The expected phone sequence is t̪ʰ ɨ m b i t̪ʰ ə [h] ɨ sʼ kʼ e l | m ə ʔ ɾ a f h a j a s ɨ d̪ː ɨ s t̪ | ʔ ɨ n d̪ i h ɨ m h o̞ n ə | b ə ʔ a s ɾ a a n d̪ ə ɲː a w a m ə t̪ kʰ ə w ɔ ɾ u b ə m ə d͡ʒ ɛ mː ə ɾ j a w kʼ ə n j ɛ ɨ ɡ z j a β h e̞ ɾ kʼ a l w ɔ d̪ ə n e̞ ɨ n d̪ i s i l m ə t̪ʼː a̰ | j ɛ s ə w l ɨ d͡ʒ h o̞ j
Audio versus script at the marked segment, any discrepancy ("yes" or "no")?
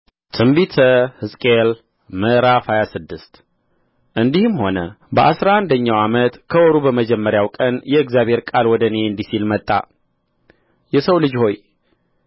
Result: no